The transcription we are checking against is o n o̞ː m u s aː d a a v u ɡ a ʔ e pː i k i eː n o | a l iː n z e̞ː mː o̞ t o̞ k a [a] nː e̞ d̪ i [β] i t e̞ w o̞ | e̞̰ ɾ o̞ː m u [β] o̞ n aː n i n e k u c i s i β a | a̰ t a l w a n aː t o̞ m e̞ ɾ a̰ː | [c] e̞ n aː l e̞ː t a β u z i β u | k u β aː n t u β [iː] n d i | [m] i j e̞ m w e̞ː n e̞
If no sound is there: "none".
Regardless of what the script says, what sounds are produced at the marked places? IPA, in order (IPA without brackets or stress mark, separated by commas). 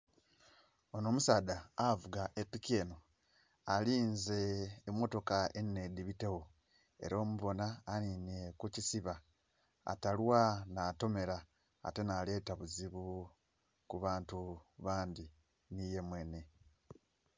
e, β, β, t, aː, n